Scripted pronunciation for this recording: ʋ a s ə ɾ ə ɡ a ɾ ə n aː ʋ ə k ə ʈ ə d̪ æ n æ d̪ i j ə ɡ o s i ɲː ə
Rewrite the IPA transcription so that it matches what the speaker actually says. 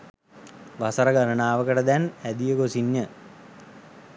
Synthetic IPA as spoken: ʋ a s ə ɾ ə ɡ a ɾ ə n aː ʋ ə k ə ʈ ə d̪ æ n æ d̪ i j ə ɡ o s i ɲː ə

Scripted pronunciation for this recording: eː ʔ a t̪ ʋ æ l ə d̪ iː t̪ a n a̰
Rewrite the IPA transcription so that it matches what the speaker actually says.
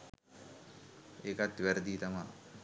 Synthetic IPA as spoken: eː k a t̪ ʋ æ ɾ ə d̪ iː t̪ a m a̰

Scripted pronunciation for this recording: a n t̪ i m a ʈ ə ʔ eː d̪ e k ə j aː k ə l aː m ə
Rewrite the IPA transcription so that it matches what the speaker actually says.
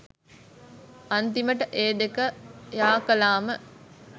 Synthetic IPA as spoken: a n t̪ i m ə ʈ ə ʔ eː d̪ e k ə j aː k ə l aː m ə

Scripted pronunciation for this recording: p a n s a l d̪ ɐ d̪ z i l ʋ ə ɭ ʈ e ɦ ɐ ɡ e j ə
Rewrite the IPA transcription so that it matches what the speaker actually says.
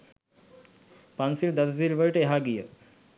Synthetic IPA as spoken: p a n s i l d̪ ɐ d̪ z i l ʋ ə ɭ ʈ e ɦ a ɡ i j ə

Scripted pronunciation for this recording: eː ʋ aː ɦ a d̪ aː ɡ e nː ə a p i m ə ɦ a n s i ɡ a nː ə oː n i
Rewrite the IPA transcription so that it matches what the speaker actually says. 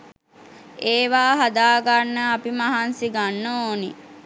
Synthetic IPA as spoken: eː ʋ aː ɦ a d̪ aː ɡ a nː ə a p i m a ɦ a n s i ɡ a nː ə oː n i

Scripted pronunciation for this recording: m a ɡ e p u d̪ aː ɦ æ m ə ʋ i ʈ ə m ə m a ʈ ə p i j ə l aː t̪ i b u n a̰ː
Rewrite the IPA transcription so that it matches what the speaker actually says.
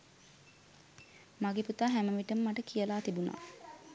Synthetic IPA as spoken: m a ɡ e p u t̪ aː ɦ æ m ə ʋ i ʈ ə m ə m a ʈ ə k i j ə l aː t̪ i b u n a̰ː

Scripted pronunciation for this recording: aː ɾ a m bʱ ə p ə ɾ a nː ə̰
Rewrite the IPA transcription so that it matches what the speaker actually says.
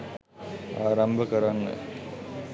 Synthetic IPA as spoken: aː ɾ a m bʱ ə k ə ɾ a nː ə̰

